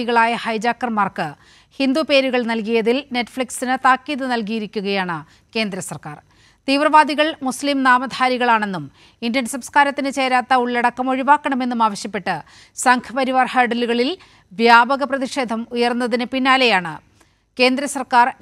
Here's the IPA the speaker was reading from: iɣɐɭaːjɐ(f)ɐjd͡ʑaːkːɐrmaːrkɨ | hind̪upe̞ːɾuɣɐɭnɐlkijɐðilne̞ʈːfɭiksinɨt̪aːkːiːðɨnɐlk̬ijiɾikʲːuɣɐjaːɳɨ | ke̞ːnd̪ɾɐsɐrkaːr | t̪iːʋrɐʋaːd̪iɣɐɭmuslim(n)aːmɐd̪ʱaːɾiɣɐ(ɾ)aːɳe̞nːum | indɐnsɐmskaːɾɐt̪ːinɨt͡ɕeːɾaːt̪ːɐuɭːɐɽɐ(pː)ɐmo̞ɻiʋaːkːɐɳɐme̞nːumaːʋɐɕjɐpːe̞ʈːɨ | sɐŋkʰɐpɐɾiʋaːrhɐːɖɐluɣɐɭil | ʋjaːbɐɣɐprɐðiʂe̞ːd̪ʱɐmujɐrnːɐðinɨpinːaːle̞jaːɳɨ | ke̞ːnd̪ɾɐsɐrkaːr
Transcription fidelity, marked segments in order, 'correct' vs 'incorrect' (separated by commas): incorrect, correct, incorrect, incorrect